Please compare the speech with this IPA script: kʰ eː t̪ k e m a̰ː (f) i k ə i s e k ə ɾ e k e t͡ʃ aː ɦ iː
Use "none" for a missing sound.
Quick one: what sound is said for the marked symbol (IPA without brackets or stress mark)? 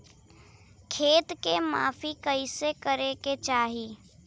f